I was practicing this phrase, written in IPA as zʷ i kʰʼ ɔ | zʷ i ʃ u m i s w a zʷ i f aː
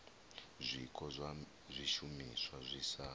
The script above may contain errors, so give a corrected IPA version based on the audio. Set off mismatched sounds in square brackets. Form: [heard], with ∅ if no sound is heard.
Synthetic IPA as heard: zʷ i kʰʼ ɔ | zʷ i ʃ u m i s w a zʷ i [s] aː